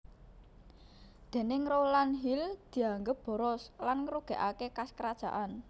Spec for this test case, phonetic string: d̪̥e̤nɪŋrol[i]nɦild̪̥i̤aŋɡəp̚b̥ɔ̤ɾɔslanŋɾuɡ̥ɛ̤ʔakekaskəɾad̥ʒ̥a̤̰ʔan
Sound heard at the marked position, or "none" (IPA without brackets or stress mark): a